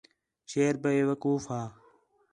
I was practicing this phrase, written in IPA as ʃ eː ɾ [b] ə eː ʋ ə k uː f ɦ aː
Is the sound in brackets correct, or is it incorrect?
correct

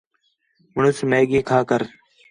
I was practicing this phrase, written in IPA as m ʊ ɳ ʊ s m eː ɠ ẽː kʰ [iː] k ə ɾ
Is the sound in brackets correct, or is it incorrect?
incorrect: aː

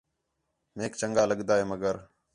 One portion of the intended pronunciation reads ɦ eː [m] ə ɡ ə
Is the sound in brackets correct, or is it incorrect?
correct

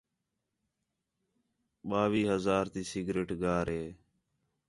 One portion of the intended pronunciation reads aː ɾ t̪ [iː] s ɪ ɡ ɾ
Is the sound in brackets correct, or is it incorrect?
correct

